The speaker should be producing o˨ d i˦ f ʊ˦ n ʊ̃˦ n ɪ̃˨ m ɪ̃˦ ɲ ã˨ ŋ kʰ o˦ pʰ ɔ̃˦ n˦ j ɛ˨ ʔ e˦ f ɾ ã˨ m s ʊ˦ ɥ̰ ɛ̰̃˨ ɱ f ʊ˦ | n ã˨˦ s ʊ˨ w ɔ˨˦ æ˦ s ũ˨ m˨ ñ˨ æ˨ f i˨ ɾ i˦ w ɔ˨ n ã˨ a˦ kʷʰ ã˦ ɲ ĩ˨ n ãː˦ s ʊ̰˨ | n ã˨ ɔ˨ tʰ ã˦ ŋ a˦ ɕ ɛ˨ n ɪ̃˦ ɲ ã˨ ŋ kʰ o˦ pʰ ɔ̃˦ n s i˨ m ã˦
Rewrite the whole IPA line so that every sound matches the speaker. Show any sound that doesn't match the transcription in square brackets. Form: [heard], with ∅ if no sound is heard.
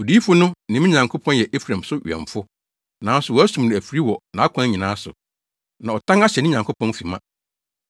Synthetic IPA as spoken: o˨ d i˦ f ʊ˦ n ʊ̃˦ n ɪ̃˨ m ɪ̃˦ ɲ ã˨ ŋ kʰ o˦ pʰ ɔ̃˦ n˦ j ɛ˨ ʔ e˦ f ɾ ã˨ m s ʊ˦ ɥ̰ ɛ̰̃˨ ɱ f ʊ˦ | n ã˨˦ s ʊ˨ w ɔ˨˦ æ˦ s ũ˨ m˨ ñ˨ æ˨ f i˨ ɾ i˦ w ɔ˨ n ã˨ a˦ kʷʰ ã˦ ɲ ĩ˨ n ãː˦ s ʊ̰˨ | n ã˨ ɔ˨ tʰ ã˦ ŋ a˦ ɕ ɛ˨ n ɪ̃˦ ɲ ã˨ ŋ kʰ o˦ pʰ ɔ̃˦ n [f] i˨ m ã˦

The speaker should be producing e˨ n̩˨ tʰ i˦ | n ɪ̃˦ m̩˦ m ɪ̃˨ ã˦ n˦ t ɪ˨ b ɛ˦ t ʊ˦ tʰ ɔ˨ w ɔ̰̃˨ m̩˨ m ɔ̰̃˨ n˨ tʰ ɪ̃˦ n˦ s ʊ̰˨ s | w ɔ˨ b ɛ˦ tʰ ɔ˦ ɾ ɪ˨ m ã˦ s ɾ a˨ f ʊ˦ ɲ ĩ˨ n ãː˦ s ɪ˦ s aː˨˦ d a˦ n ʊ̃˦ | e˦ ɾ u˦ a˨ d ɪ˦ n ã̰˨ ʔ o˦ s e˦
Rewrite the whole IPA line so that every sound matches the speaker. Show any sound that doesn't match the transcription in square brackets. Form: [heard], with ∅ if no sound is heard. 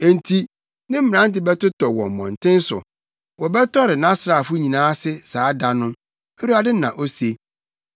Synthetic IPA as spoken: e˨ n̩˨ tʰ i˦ | n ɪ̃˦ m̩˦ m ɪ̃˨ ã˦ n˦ t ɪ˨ b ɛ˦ t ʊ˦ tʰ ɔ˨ w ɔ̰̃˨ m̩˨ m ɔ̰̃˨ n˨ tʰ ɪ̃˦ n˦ s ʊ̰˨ [∅] | w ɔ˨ b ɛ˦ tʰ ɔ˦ ɾ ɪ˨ [n] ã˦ s ɾ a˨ f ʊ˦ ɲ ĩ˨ n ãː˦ s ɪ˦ s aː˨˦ d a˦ n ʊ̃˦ | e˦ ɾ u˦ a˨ d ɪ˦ n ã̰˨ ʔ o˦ s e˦

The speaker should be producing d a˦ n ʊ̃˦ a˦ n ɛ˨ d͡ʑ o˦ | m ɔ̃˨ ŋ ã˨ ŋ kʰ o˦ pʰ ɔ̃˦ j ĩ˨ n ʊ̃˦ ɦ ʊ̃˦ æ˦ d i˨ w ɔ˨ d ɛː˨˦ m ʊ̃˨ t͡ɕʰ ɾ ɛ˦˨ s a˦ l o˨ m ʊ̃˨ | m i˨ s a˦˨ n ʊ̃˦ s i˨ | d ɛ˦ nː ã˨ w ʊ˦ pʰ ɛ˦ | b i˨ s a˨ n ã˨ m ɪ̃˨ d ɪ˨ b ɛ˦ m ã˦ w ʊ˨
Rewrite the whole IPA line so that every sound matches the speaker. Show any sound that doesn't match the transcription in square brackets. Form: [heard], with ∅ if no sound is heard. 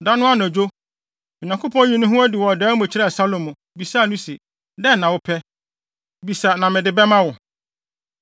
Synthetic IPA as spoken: d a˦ n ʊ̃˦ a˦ n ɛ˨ d͡ʑ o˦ | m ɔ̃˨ [ɲ] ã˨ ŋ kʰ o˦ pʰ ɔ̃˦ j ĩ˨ n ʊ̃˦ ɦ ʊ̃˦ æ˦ d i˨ w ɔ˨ d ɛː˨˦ m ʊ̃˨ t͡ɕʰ ɾ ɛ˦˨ s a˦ l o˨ m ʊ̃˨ | [b] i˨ s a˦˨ n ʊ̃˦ s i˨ | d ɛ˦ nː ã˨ w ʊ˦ pʰ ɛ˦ | b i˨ s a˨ n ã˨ m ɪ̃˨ d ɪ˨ b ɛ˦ m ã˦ w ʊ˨

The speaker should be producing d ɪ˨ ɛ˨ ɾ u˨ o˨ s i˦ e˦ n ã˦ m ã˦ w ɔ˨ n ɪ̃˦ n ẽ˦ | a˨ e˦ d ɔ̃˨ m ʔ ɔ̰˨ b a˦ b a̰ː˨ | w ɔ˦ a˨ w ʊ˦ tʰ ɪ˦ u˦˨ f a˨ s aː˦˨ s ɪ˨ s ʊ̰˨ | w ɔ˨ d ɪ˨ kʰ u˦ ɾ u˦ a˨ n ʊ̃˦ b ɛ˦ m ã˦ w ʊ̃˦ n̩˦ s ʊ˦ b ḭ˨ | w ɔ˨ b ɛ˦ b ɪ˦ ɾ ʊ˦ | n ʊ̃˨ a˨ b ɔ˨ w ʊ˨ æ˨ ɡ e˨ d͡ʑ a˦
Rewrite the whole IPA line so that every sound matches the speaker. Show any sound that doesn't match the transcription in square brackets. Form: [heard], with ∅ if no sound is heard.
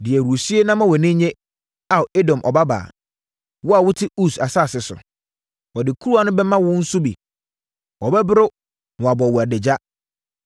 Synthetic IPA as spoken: d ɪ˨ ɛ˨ ɾ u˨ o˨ s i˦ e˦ n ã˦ m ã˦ w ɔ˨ n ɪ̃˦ [ɲ] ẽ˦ | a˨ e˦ d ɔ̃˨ m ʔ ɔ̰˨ b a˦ b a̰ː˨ | w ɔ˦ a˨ w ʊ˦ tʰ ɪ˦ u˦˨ [s] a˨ s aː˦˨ s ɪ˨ s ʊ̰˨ | w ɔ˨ d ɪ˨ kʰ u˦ ɾ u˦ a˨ n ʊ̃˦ b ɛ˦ m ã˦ w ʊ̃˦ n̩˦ s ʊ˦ b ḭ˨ | w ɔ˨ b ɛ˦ b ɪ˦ ɾ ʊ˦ | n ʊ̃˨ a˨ b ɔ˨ w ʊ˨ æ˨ [d] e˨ d͡ʑ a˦

